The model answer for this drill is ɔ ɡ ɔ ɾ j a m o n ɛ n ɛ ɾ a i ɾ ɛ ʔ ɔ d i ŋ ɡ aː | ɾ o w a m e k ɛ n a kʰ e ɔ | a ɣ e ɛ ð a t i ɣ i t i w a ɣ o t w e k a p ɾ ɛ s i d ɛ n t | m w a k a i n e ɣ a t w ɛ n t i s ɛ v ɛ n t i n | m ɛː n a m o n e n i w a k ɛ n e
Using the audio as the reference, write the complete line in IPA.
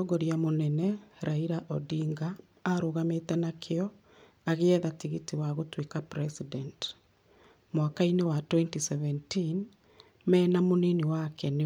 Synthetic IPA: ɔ ɡ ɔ ɾ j a m o n ɛ n ɛ ɾ a i ɾ a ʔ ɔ d i ŋ ɡ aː | ɾ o ɣ a m e t ɛ n a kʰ e ɔ | a ɣ e ɛ ð a t i ɣ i t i w a ɣ o t w e k a p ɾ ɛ s i d ɛ n t | m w a k a i n e w a t w ɛ n t i s ɛ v ɛ n t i n | m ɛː n a m o n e n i w a k ɛ n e

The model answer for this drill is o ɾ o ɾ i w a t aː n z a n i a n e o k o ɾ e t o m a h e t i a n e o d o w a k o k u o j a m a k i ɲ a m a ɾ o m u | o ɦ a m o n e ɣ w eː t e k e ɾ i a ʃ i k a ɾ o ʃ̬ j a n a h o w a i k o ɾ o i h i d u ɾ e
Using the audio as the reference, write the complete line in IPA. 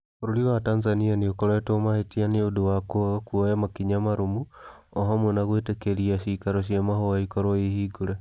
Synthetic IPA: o ɾ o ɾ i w a t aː n z a n i a n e o k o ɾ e t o m a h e t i a n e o d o w a k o k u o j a m a k i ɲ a m a ɾ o m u | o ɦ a m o n a ɣ w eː t e k e ɾ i a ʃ i k a ɾ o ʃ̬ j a m a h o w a i k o ɾ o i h i ɡ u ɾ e

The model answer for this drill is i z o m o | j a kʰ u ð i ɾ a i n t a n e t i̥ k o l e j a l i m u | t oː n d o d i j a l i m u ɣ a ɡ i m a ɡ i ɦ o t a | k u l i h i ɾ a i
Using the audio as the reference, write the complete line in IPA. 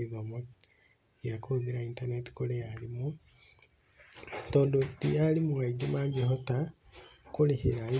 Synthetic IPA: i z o m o | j a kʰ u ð i ɾ a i n t a n e t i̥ k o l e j a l i m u | t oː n d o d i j a l i m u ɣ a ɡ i m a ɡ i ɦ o t a | k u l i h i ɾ a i

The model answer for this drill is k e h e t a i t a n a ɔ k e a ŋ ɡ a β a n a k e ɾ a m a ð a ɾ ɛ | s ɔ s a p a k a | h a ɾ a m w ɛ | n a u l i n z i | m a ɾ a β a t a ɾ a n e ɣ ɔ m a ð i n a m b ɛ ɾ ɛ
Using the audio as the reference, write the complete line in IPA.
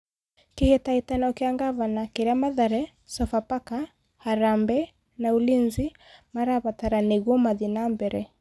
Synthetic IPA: k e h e t a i t a n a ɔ k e a ŋ ɡ a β a n a k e ɾ a m a ð a ɾ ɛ | s ɔ f a p a k a | h a ɾ a m b ɛ | n a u l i n z i | m a ɾ a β a t a ɾ a n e ɣ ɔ m a ð i n a m b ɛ ɾ ɛ

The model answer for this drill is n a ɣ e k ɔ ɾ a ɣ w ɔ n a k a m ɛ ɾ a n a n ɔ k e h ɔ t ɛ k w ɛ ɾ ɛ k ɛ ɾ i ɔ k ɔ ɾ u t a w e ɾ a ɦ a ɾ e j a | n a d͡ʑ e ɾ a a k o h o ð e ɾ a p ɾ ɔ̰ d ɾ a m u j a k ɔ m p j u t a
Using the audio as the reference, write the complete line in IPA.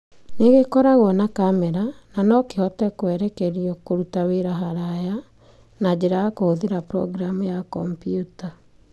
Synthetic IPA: n e ɣ e k ɔ ɾ a ɣ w ɔ n a k a m ɛ ɾ a n a n ɔ k e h ɔ t ɛ k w ɛ ɾ ɛ k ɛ ɾ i ɔ k o ɾ u t a w e ɾ a ɦ a ɾ a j a | n a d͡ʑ e ɾ a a k o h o ð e ɾ a p ɾ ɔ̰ ɡ ɾ a m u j a k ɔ m p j u t a

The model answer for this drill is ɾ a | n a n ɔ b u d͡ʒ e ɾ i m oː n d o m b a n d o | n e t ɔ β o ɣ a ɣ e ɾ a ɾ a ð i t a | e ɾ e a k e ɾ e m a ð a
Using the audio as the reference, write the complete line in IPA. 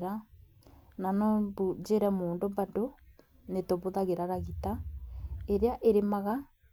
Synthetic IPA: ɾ a | n a n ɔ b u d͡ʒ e ɾ ɛ m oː n d o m b a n d o | n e t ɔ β o ð a ɣ e ɾ a ɾ a ɣ i t a | e ɾ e a ʔ e ɾ e m a ɣ a

